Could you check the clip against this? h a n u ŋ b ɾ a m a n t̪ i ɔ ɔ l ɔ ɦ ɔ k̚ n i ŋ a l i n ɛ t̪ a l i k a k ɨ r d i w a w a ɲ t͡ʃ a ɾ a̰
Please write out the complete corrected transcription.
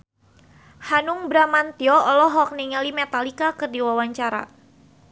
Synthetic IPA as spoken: h a n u ŋ b ɾ a m a n t̪ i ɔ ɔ l ɔ ɦ ɔ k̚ n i ŋ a l i m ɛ t̪ a l i k a k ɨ r d i w a w a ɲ t͡ʃ a ɾ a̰